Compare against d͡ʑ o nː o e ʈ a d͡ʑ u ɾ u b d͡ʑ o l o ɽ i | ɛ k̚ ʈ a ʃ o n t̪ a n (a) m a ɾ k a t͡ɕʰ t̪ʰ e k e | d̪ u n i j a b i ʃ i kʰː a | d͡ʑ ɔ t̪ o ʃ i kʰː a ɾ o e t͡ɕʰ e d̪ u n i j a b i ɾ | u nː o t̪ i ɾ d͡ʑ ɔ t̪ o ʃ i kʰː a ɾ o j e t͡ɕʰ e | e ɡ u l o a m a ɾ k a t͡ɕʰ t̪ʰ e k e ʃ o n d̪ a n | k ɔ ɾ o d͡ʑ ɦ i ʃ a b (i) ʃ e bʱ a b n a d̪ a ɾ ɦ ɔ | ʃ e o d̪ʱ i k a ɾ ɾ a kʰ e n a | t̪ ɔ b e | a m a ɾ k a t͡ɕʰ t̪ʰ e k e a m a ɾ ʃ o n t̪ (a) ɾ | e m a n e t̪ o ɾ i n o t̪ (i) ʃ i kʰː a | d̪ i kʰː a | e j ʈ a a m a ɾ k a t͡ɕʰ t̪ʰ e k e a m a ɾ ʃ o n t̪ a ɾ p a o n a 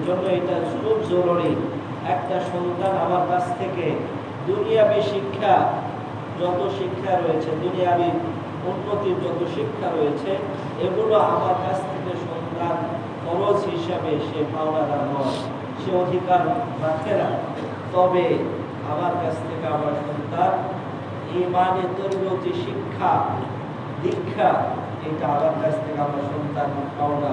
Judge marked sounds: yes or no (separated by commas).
yes, no, yes, yes